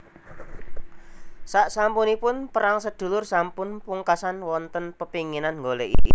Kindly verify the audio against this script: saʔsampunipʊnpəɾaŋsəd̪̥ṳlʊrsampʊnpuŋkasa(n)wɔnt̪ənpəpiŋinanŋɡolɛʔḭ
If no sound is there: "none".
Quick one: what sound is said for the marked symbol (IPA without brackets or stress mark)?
n